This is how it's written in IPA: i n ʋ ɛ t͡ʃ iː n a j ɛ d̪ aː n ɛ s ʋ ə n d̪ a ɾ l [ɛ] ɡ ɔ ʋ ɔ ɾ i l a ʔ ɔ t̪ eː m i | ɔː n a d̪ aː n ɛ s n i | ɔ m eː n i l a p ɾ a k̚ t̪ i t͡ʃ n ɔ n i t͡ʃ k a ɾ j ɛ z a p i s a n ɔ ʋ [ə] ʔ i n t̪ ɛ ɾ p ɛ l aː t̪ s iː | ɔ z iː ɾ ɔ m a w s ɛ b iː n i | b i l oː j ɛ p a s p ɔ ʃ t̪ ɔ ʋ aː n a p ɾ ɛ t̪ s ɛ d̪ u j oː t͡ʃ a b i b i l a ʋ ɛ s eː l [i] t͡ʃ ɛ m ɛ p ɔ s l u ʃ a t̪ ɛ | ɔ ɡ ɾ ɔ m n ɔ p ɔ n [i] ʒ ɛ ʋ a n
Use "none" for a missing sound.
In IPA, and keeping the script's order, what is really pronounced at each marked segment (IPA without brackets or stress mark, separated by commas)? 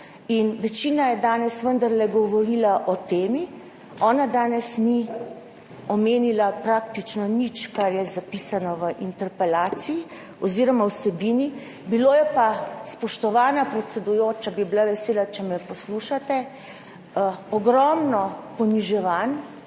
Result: ɛ, ə, a, i